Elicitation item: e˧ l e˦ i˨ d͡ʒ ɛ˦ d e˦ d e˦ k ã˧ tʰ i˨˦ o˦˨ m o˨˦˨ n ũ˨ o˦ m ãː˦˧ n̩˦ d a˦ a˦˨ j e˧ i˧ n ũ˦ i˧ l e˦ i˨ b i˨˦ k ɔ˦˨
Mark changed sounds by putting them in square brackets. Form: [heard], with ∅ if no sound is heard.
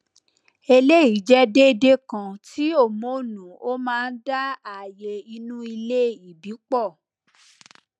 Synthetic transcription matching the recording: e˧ l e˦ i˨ d͡ʒ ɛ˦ d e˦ d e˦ k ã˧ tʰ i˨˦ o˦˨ m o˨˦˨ n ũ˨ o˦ m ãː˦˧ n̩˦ d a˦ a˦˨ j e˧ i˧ n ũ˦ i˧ l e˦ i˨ b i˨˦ [k͡p] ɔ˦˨